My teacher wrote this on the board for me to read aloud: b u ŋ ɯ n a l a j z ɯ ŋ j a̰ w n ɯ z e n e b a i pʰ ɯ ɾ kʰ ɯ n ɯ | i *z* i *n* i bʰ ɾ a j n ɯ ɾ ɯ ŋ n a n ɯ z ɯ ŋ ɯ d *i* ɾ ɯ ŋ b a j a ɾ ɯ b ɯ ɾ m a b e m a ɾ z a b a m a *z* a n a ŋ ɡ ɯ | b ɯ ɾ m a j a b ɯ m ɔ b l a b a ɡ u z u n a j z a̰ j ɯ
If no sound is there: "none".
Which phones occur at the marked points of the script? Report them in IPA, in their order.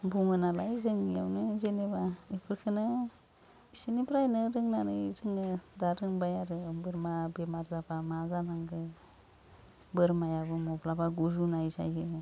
s, n, a, z

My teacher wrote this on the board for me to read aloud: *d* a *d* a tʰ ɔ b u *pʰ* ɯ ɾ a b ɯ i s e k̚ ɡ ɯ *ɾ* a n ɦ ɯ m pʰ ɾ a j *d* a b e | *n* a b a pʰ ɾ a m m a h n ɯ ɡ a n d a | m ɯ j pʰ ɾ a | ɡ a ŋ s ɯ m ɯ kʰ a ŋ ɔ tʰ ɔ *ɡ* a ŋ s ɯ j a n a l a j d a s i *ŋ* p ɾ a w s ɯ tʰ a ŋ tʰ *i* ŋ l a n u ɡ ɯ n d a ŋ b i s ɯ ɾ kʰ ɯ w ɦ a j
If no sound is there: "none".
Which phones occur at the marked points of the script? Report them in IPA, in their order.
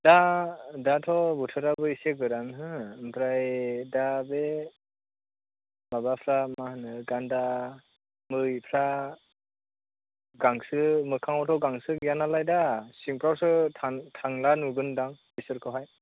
d, d, tʰ, ɾ, d, m, ɡ, ŋ, a

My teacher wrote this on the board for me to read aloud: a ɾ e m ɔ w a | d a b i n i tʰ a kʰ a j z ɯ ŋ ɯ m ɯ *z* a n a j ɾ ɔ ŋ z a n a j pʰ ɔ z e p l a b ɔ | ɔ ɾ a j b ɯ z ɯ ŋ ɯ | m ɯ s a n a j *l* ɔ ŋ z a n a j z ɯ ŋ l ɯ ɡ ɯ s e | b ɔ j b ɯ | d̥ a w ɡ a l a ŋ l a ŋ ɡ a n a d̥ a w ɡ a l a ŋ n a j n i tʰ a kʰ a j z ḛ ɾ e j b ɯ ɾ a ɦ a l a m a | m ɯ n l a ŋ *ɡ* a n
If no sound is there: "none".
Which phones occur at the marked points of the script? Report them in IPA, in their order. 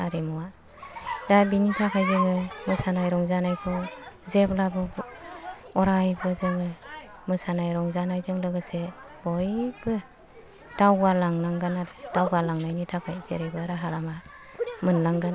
s, ɾ, ɡ

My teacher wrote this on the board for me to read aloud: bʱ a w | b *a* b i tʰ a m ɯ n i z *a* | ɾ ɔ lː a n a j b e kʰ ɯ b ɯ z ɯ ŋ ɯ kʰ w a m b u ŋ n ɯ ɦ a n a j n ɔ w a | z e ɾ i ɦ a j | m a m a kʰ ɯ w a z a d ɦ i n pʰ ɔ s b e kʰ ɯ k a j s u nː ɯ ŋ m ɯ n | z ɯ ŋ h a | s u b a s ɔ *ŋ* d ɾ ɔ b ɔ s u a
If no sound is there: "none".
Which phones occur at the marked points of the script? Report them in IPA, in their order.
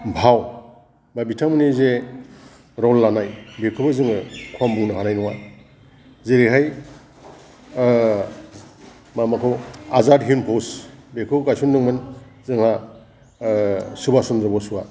a, e, n

